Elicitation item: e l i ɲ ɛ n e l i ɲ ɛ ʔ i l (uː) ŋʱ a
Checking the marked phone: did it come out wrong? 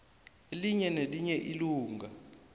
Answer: no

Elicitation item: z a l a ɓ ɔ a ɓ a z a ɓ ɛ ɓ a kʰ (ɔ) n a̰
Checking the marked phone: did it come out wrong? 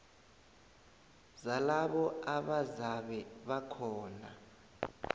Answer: yes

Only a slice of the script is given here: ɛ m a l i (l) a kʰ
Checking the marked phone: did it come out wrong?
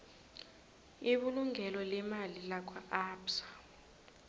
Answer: no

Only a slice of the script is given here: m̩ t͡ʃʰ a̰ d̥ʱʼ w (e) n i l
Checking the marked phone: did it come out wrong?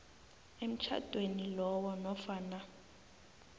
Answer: no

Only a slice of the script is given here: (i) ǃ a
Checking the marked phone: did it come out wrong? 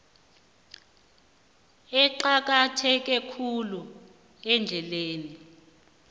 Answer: yes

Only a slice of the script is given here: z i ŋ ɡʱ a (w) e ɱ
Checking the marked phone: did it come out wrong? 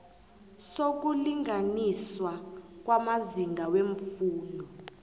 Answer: no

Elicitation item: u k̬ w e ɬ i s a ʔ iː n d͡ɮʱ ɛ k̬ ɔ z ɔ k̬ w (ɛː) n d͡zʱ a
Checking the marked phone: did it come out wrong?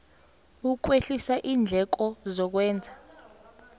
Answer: no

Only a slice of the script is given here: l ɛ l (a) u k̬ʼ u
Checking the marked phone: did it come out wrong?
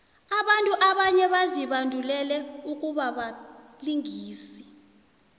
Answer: yes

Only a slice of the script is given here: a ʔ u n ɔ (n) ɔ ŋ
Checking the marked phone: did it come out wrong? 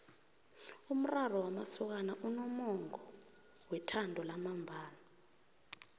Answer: yes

